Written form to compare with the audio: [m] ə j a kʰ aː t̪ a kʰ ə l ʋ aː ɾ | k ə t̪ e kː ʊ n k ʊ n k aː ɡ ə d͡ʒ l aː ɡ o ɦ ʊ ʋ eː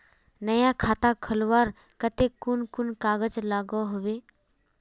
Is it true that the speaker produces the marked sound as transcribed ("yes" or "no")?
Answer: no